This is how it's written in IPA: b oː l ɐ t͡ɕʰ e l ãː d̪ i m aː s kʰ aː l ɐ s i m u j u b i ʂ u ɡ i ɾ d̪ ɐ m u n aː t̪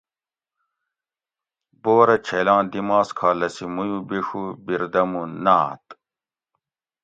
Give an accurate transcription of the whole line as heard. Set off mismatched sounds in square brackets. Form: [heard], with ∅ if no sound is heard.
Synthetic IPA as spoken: b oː [ɾ] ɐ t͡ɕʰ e l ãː d̪ i m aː s kʰ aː l ɐ s i m u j u b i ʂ u [b] i ɾ d̪ ɐ m u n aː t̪

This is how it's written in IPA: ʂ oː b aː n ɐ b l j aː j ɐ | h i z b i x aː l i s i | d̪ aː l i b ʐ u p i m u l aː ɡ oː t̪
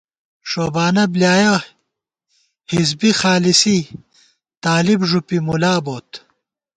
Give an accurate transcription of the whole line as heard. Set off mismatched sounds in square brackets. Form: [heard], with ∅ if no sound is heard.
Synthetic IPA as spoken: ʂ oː b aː n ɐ b l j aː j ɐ | h i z b i x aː l i s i | [t̪] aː l i b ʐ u p i m u l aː [b] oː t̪

